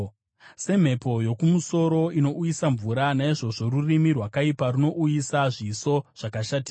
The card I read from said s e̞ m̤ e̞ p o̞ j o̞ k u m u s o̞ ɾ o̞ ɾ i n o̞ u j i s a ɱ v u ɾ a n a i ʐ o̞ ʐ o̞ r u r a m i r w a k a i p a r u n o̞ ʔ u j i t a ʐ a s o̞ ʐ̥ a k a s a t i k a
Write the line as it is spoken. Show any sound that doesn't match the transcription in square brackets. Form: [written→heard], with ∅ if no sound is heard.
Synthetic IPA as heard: s e̞ m̤ e̞ p o̞ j o̞ k u m u s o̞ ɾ o̞ [ɾ→∅] i n o̞ u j i s a ɱ v u ɾ a n a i ʐ o̞ ʐ o̞ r u r [a→i] m i r w a k a i p a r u n o̞ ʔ u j i [t→s] a ʐ [a→i] s o̞ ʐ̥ a k a [s→ʃ] a t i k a